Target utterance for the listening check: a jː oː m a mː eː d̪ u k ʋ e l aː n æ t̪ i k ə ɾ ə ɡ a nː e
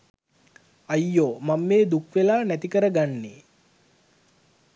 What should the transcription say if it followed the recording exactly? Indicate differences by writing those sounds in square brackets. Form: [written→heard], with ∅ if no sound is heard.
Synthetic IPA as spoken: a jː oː m a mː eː d̪ u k ʋ e l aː n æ t̪ i k ə ɾ ə ɡ a nː e